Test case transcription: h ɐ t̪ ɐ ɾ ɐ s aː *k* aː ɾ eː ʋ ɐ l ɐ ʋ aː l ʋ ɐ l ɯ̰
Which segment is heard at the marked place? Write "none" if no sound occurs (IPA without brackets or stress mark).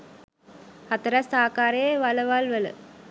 k